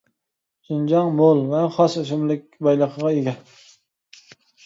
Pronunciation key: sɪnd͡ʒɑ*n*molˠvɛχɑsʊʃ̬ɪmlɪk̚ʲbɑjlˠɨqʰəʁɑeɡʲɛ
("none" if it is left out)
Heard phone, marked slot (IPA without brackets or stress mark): ŋ